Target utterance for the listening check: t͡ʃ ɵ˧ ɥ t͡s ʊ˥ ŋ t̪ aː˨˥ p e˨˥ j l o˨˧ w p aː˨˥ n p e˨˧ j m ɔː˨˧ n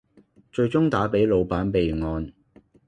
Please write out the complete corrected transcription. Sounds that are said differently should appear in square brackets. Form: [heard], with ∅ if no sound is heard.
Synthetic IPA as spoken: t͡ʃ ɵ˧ ɥ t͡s ʊ˥ ŋ t̪ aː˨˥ p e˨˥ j l o˨˧ w p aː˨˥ n p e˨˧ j [ŋ] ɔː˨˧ n